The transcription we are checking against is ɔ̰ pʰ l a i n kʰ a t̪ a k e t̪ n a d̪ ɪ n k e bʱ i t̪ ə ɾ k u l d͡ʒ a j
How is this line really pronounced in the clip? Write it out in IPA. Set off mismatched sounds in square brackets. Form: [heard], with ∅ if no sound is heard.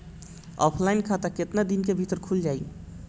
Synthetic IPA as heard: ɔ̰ pʰ l a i n kʰ a t̪ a k e t̪ n a d̪ [i] n k e bʱ i t̪ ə ɾ [kʰ] u l d͡ʒ a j